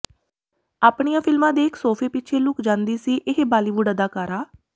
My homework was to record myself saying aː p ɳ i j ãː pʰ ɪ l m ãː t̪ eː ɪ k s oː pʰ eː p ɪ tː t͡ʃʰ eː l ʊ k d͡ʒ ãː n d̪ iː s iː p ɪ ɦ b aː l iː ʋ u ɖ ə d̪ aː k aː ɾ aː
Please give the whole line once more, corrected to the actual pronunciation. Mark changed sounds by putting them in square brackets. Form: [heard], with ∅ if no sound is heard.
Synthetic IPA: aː p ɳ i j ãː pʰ ɪ l m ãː [d̪] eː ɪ k s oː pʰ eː p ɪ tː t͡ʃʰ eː l ʊ k d͡ʒ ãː n d̪ iː s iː [ʔ] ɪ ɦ b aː l iː ʋ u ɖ ə d̪ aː k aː ɾ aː